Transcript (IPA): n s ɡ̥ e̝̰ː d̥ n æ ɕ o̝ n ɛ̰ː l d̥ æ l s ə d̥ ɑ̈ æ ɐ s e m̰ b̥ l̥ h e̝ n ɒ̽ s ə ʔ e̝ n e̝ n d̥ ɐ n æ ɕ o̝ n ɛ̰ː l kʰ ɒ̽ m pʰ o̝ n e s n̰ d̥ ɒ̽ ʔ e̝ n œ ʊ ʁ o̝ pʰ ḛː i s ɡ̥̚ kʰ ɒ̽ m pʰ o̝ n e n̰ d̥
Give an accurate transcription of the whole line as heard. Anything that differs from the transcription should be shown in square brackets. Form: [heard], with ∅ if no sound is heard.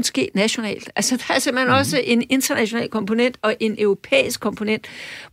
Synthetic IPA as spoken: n s ɡ̥ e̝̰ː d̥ n æ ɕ o̝ n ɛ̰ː l d̥ æ l s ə d̥ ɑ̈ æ ɐ s e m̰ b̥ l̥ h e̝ n ɒ̽ s ə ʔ e̝ n e̝ n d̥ ɐ n æ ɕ o̝ n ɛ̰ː l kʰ ɒ̽ m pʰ o̝ n e [∅] n̰ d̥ ɒ̽ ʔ e̝ n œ ʊ ʁ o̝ pʰ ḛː i s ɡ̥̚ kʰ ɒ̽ m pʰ o̝ n e n̰ d̥